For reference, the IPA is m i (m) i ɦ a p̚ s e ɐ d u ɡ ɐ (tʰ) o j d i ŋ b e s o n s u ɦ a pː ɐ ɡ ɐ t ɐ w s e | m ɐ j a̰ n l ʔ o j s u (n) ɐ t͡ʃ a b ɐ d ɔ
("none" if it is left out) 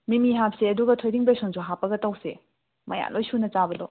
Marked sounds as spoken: m, tʰ, n

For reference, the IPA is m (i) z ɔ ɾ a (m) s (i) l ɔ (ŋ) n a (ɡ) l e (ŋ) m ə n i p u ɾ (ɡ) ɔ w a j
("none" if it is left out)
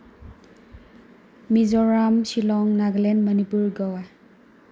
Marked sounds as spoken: i, m, i, ŋ, ɡ, n, ɡ

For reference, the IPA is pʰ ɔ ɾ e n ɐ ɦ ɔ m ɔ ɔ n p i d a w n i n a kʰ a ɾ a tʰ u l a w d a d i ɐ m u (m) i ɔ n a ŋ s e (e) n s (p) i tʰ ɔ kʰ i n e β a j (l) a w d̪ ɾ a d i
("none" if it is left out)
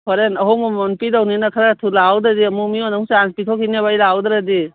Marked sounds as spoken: m, a, p, l

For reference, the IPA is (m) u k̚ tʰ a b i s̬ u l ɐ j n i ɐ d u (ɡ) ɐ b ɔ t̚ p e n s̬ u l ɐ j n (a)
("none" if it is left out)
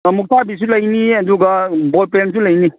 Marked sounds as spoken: m, ɡ, i

